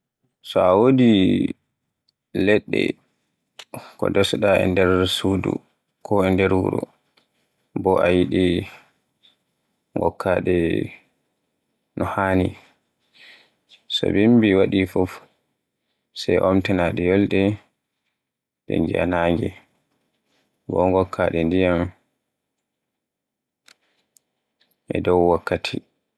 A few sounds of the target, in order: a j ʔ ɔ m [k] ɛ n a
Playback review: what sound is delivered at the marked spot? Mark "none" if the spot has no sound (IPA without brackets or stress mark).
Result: t